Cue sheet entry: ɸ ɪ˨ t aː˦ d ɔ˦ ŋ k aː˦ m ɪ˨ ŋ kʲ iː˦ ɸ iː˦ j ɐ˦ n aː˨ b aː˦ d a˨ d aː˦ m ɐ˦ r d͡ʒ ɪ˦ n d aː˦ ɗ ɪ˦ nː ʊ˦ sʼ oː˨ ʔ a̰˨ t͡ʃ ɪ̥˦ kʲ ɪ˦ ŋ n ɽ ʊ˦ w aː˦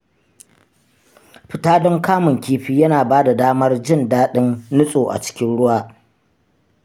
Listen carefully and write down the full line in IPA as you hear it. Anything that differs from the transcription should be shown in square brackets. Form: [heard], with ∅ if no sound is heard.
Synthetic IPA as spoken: ɸ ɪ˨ t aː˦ d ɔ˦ ŋ k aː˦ m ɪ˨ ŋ kʲ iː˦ ɸ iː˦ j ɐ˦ n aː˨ b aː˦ d a˨ d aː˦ m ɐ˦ r d͡ʒ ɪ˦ n d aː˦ ɗ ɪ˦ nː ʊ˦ sʼ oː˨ ʔ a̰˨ t͡ʃ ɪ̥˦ kʲ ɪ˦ [∅] n ɽ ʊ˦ w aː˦